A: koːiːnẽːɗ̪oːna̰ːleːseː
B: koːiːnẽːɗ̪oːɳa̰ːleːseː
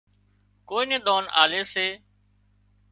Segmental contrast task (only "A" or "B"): A